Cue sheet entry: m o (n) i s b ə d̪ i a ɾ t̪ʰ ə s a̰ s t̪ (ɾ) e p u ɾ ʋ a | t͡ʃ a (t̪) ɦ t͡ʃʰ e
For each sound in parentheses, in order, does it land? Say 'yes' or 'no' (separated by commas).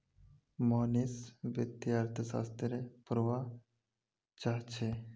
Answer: yes, yes, no